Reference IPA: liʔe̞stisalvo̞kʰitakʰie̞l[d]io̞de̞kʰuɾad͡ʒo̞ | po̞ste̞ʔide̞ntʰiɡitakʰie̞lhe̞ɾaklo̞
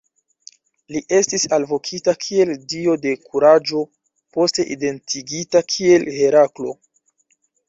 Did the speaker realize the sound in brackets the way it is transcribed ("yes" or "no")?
yes